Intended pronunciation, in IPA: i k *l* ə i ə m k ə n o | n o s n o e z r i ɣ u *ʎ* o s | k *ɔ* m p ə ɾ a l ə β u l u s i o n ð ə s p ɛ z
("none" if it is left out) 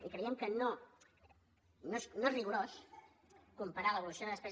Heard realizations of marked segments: ɾ, ɾ, u

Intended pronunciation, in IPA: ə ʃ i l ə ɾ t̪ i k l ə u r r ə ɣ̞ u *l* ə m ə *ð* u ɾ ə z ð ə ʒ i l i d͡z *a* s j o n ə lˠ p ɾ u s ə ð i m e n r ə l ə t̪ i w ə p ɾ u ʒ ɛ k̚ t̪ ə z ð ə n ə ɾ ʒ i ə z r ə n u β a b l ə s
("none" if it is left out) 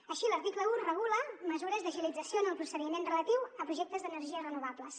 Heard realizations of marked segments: l, z, ə

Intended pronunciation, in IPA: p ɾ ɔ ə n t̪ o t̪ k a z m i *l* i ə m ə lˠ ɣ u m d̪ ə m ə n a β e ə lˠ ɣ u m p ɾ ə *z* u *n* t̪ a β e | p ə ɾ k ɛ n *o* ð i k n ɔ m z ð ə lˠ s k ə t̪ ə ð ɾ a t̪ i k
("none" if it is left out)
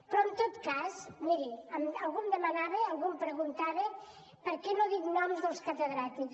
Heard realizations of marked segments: ɾ, ɣ, n, o

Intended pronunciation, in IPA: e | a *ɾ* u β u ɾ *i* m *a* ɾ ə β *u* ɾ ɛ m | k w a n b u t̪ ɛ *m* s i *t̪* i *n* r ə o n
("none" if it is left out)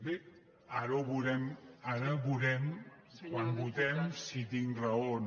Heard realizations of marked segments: ɾ, ɛ, a, u, m, t̪, ŋ

